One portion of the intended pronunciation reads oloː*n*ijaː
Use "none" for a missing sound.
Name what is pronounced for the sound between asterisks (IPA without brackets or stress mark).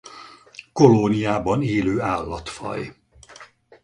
n